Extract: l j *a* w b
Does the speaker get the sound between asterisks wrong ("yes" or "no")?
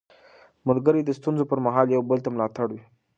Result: no